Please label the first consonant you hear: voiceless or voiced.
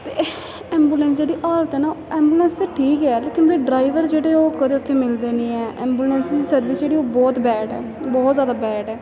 voiceless